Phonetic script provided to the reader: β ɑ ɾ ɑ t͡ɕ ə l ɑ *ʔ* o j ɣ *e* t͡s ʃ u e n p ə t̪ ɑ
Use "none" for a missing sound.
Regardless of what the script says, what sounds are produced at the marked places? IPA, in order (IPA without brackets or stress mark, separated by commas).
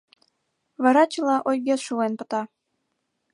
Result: ʔ, e